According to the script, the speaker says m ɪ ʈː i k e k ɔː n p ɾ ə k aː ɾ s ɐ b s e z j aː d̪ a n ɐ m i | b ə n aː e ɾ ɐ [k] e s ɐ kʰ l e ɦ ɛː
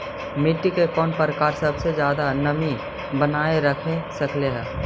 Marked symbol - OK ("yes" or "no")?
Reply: no